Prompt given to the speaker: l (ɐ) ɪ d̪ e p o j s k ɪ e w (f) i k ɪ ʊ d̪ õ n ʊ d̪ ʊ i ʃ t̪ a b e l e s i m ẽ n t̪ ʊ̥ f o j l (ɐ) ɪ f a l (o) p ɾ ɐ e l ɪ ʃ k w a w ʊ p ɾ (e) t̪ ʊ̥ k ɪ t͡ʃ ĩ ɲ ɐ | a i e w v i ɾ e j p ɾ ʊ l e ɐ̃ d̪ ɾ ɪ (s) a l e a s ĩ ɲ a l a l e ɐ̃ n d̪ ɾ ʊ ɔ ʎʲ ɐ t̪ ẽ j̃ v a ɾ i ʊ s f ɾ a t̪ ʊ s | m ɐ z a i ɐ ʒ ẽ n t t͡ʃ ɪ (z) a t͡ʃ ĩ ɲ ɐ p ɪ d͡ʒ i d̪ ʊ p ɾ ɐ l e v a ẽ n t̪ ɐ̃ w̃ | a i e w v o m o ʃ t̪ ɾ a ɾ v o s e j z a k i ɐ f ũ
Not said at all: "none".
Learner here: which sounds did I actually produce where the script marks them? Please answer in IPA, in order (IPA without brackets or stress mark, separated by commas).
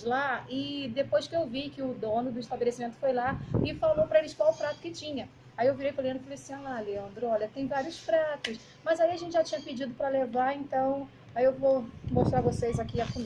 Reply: a, v, a, o, a, f, ʒ